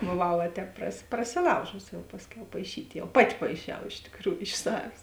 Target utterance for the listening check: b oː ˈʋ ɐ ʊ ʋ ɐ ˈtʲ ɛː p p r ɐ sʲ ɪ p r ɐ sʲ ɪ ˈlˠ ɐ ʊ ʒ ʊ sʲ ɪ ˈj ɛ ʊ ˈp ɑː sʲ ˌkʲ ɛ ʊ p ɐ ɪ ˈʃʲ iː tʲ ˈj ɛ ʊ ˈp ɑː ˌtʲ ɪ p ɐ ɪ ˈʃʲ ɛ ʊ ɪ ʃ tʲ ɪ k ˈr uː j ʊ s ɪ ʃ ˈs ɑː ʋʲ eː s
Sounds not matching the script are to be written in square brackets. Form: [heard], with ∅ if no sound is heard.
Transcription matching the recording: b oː ˈʋ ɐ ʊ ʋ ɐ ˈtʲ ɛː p p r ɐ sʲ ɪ p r ɐ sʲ ɪ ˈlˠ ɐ ʊ ʒ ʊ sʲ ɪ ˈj ɛ ʊ ˈp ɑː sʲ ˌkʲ ɛ ʊ p ɐ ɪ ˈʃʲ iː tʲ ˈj ɛ ʊ ˈp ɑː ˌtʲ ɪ p ɐ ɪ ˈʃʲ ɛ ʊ ɪ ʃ tʲ ɪ k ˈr uː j ʊ [∅] ɪ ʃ ˈs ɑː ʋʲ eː s